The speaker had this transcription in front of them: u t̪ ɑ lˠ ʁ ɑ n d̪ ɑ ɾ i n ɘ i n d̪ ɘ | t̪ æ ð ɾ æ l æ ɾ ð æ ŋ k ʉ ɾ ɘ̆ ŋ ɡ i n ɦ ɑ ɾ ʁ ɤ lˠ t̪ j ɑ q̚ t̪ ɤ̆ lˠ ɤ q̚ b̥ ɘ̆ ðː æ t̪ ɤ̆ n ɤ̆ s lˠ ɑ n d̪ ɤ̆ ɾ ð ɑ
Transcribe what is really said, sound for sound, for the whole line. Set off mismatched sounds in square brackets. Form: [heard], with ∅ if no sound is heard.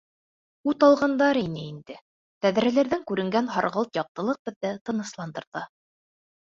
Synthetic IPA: u t̪ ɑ lˠ ʁ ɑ n d̪ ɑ ɾ i n ɘ i n d̪ ɘ | t̪ æ ð ɾ æ l æ ɾ ð æ ŋ k ʉ ɾ ɘ̆ ŋ ɡ [æ] n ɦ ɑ ɾ ʁ ɤ lˠ t̪ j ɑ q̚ t̪ ɤ̆ lˠ ɤ q̚ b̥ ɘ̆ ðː æ t̪ ɤ̆ n ɤ̆ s lˠ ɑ n d̪ ɤ̆ ɾ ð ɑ